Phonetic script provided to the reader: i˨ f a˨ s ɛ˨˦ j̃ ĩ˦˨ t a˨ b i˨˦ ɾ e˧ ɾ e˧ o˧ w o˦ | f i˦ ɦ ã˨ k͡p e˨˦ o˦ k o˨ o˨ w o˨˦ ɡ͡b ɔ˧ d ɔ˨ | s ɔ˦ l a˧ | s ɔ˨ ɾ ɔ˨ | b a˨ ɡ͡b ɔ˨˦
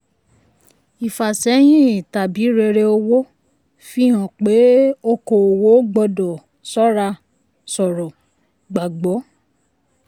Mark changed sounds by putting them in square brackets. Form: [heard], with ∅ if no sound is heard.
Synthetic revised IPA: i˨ f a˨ s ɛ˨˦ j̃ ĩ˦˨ t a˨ b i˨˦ ɾ e˧ ɾ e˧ o˧ w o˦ | f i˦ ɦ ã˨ k͡p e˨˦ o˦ k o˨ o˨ w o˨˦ ɡ͡b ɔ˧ d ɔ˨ | s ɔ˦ [ɾ] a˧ | s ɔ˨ ɾ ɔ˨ | [ɡ͡b] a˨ ɡ͡b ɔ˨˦